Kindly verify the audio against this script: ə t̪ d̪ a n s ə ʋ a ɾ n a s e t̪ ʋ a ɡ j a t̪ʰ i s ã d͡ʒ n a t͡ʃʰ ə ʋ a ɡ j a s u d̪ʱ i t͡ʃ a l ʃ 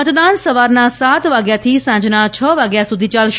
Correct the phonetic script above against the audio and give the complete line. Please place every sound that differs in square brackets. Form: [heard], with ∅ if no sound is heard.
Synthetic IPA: ə t̪ d̪ a n s ə ʋ a ɾ n a s [a] t̪ ʋ a ɡ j a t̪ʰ i s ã d͡ʒ n a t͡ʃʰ ə ʋ a ɡ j a s u d̪ʱ i t͡ʃ a l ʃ